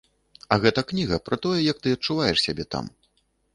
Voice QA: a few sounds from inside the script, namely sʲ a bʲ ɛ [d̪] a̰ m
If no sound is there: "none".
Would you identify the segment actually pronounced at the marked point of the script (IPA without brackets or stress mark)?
t̪